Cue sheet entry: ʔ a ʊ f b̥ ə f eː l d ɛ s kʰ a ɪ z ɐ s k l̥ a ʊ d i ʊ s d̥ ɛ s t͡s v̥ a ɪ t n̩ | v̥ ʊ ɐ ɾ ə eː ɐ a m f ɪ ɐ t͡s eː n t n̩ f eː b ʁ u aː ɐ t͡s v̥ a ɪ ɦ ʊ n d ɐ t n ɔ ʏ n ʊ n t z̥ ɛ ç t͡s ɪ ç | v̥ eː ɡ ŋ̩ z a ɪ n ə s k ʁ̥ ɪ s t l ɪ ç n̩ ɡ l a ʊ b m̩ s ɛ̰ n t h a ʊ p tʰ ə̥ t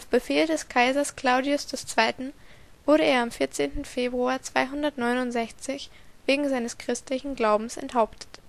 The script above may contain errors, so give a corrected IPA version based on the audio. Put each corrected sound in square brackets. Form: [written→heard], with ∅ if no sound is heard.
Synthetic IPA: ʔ a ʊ f b̥ ə f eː l d ɛ s kʰ a ɪ z ɐ s k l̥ a ʊ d i ʊ s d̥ ɛ s t͡s v̥ a ɪ t n̩ | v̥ ʊ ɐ ɾ ə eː ɐ a m f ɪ ɐ t͡s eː n t n̩ f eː b ʁ u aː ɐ t͡s v̥ a ɪ ɦ ʊ n d ɐ t n ɔ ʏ n ʊ n t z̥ ɛ ç t͡s ɪ ç | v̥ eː ɡ ŋ̩ z a ɪ n ə s k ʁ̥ ɪ s t l ɪ ç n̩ ɡ l a ʊ b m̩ s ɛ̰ n t h a ʊ p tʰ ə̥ t